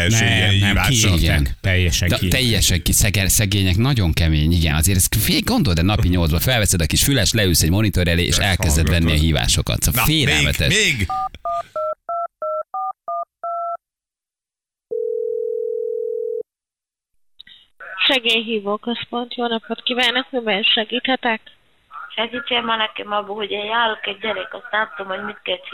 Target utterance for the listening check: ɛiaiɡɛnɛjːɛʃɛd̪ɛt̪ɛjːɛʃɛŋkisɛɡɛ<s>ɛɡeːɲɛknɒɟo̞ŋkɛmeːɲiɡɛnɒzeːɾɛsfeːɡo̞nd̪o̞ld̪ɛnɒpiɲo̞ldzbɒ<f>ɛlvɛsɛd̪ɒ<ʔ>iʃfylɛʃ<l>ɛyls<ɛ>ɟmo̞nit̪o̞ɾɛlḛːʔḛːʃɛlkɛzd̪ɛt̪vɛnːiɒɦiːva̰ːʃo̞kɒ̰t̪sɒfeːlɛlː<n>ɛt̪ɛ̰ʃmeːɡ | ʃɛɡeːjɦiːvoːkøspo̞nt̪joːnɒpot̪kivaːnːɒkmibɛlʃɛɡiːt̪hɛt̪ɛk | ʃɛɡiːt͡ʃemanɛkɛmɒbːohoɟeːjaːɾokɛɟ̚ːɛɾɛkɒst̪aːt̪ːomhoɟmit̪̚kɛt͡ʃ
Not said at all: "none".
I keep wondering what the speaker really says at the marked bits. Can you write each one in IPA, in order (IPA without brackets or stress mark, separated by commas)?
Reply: s, f, k, l, ɛ, m